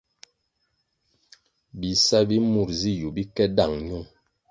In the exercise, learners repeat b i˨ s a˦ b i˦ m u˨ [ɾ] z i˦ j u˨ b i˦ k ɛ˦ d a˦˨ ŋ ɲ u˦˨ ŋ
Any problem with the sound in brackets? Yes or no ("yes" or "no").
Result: no